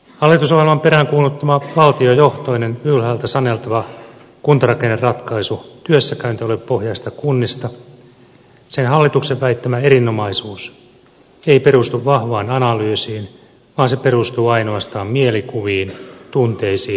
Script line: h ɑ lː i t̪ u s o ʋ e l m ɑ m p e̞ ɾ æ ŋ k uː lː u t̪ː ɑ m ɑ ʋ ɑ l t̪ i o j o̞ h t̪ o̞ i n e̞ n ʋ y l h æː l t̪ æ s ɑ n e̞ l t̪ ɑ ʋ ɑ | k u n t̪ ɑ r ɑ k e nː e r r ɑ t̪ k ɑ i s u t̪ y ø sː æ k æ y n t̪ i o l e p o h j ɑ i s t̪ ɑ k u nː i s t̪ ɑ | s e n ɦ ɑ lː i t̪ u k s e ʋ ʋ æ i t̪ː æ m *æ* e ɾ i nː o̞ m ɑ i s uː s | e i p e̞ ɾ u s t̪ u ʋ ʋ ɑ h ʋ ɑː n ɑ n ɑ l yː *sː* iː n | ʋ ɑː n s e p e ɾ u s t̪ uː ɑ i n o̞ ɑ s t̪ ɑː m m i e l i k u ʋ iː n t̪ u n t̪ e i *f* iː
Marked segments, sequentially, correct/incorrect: correct, incorrect, incorrect

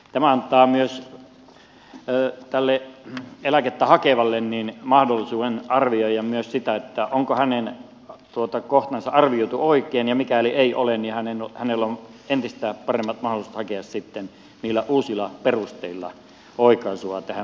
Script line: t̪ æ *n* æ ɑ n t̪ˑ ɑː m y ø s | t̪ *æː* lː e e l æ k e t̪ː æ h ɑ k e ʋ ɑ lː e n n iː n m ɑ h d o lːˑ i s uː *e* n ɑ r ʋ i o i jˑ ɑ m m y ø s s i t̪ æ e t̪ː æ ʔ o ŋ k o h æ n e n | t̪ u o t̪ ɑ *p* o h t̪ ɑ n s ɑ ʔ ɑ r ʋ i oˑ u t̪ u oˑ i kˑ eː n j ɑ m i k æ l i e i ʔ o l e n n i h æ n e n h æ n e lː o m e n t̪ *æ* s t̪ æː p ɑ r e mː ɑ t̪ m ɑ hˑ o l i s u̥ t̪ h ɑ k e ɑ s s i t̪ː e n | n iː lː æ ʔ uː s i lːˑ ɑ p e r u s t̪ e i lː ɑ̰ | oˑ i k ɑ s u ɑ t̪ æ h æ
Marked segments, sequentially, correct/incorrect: incorrect, incorrect, correct, incorrect, incorrect

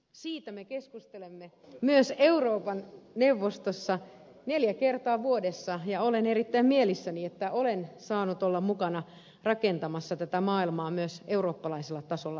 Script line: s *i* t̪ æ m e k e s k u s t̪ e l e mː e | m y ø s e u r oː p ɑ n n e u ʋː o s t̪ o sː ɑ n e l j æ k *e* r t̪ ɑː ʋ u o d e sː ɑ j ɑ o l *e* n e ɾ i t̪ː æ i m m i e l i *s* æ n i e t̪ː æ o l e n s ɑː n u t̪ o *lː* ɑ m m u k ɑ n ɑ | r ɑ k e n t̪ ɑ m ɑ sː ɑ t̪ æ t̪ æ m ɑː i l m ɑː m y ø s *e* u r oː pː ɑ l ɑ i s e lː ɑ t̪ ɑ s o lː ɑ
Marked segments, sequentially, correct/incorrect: incorrect, correct, correct, incorrect, correct, correct

